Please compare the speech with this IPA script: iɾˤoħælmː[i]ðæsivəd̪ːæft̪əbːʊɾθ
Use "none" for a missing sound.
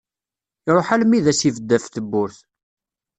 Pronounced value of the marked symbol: i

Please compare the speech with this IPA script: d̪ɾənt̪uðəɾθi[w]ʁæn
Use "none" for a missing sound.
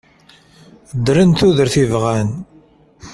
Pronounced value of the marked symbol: v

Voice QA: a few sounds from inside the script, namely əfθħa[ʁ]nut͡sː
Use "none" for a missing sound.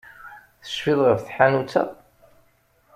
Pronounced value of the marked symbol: none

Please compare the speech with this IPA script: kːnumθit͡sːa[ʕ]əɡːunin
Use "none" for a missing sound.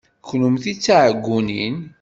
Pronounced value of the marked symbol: ʕ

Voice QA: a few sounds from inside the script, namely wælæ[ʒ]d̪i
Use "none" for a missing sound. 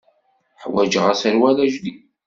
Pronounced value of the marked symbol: ʒ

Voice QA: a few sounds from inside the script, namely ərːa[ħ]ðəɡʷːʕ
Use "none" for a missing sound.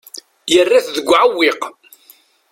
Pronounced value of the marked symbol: θ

